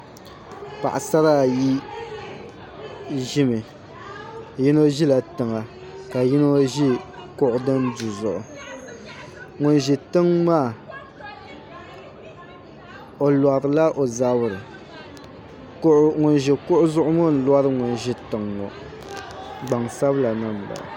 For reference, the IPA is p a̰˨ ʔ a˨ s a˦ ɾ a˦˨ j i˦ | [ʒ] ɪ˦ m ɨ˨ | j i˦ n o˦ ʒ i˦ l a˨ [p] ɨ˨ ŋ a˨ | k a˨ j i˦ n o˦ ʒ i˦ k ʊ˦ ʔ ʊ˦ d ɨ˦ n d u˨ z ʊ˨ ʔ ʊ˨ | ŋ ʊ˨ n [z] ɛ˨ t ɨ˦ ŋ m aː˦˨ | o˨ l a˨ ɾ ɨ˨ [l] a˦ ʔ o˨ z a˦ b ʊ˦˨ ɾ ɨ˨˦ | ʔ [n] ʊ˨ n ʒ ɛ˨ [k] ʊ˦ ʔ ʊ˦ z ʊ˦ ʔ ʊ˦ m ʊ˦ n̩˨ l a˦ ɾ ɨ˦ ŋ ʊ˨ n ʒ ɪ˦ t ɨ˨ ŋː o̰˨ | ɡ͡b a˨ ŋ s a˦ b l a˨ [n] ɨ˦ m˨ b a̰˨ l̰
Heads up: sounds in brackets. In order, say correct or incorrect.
correct, incorrect: t, incorrect: ʒ, correct, incorrect: ŋ, correct, correct

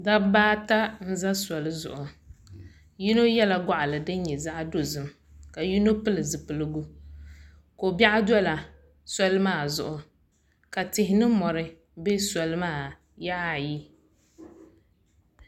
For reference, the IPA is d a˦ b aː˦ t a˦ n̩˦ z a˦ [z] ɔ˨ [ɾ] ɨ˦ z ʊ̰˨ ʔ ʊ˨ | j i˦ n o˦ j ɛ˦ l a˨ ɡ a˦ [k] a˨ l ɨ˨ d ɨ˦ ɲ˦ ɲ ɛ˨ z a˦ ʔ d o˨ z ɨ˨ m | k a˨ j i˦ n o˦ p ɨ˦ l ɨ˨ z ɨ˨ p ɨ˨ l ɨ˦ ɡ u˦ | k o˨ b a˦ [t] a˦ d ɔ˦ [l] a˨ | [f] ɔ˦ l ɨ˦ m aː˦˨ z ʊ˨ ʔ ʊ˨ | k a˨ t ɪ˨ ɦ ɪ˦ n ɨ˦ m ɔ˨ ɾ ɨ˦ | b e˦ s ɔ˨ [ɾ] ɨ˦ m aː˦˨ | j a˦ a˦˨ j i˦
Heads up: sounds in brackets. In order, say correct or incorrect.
incorrect: s, incorrect: l, incorrect: ʔ, incorrect: ʔ, correct, incorrect: s, incorrect: l

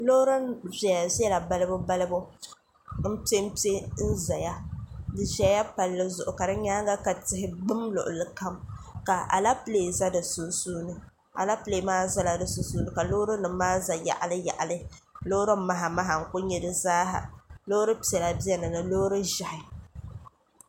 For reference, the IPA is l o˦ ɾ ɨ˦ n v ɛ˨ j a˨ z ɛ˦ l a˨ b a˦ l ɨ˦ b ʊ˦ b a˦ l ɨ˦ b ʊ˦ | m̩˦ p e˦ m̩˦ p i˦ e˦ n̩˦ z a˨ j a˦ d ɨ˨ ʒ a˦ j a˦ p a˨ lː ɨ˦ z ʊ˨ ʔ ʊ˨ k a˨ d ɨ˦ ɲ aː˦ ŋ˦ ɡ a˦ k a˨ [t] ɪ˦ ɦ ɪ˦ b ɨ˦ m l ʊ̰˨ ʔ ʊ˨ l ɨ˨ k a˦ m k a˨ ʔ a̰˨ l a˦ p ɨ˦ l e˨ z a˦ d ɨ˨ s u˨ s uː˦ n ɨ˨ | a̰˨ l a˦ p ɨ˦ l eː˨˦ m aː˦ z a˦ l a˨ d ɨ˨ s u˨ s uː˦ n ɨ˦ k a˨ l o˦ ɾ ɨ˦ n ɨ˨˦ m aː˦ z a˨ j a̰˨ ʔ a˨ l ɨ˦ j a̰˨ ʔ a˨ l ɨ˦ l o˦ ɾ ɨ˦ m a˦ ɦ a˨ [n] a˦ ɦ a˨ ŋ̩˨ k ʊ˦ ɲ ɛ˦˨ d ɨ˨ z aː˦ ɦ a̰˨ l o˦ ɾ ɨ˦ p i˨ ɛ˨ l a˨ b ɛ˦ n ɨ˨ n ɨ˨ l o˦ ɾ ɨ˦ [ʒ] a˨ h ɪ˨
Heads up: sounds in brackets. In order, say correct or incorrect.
correct, incorrect: m, correct

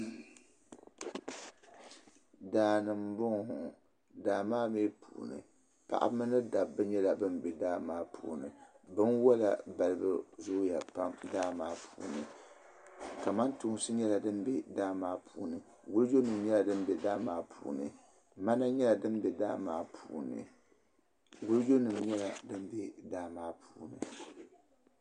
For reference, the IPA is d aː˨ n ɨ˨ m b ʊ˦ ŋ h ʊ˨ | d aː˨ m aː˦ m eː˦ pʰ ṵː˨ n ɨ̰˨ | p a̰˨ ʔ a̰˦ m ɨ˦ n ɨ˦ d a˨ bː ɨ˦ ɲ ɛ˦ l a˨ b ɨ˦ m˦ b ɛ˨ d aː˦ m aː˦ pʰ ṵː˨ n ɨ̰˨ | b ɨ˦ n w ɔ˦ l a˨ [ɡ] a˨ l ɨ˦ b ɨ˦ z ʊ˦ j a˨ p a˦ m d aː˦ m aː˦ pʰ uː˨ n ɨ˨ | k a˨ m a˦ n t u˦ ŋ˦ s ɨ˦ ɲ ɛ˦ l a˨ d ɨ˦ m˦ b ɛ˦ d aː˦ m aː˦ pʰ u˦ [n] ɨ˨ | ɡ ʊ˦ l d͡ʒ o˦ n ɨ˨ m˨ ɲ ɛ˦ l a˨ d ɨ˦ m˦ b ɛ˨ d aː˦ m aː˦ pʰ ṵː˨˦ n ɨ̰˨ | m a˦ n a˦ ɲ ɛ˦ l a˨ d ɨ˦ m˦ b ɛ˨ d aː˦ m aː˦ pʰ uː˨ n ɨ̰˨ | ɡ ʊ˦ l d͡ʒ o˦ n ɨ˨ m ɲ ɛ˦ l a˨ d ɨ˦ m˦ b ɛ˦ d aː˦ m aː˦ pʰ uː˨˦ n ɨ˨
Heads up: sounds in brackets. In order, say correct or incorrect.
incorrect: b, correct

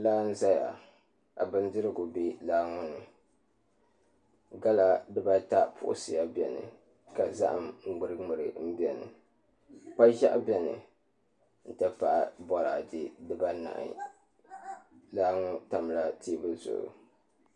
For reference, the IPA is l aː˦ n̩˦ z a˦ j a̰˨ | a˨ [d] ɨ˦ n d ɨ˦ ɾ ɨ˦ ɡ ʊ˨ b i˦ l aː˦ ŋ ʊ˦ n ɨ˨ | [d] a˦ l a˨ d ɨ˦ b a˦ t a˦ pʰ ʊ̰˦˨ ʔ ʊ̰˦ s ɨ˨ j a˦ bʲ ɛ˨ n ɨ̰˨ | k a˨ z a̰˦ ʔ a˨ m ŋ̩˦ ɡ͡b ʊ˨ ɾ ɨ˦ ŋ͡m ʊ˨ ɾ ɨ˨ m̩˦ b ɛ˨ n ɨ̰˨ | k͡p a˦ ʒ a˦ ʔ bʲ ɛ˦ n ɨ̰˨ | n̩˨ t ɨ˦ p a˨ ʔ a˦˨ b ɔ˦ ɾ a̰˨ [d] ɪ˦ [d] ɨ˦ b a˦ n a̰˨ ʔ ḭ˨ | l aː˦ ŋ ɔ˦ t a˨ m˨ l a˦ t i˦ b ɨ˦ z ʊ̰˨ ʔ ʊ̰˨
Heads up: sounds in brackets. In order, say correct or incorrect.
incorrect: b, incorrect: ɡ, correct, correct

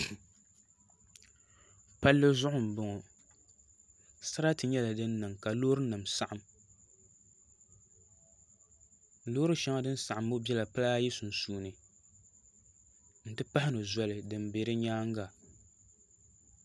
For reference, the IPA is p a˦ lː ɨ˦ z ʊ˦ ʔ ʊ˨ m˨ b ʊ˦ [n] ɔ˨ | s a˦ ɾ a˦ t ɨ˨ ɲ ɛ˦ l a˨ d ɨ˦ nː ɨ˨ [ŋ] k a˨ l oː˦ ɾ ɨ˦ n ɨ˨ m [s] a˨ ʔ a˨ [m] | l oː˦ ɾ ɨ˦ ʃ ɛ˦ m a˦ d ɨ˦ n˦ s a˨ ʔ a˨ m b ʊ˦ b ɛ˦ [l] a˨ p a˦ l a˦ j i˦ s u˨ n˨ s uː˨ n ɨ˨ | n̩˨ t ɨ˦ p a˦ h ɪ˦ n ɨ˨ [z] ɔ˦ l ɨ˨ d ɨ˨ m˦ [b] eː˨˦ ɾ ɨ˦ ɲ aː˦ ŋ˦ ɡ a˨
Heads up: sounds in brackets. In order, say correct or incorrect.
incorrect: ŋ, correct, correct, correct, correct, correct, correct

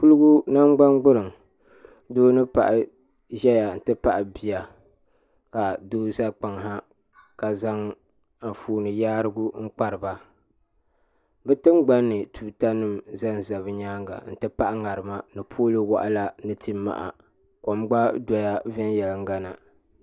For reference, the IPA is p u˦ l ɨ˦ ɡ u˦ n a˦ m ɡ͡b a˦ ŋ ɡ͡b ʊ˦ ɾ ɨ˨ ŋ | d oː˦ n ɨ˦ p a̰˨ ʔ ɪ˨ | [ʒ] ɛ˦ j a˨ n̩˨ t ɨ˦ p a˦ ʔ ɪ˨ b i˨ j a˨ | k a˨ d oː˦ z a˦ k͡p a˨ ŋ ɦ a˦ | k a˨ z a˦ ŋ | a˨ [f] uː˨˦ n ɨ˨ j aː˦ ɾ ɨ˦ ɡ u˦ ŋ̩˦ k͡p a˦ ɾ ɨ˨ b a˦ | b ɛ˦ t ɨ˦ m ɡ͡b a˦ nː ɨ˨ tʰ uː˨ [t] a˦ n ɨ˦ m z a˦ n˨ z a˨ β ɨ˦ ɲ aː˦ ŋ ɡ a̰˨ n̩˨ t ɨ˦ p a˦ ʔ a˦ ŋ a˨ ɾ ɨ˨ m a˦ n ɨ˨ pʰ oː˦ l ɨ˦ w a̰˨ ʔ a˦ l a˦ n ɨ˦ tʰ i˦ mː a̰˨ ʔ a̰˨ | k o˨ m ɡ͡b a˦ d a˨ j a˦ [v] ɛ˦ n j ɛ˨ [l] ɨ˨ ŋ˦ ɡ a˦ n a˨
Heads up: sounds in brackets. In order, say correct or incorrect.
correct, correct, correct, correct, correct

